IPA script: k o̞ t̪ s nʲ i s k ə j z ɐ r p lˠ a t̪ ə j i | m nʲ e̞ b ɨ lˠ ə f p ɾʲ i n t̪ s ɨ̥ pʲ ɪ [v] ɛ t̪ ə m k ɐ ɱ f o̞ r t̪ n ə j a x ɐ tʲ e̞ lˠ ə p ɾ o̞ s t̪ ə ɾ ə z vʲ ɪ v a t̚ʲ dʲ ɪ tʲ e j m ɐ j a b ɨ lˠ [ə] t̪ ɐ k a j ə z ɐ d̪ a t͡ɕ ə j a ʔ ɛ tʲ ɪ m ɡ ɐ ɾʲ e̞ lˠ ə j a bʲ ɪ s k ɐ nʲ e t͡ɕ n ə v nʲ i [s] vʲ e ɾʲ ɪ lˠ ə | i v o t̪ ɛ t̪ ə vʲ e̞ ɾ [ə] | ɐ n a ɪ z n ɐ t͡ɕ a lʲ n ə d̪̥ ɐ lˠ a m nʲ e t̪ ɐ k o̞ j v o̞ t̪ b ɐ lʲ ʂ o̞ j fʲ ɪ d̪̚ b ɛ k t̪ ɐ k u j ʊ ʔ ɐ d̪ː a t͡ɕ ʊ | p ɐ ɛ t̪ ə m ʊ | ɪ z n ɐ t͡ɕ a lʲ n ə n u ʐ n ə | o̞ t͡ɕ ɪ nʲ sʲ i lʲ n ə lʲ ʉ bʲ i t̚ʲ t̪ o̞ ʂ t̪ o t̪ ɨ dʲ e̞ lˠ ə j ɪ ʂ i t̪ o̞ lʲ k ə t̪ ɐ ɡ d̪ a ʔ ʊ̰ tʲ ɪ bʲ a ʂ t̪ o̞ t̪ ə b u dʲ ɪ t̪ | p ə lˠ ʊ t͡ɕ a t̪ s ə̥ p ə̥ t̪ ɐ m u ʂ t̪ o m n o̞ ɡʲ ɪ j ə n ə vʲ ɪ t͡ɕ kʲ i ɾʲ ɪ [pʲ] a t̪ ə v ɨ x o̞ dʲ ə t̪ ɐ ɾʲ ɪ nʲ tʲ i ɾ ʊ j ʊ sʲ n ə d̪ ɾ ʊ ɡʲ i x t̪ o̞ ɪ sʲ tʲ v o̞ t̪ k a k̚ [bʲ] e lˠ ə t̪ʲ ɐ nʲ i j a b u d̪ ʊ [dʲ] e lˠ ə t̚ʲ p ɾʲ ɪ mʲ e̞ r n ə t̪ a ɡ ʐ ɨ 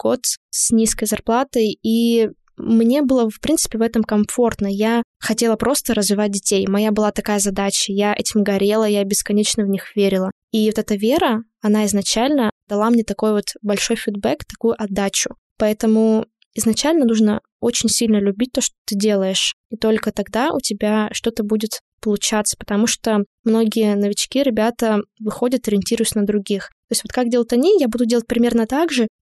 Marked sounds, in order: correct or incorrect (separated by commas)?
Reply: correct, incorrect, incorrect, correct, incorrect, incorrect, correct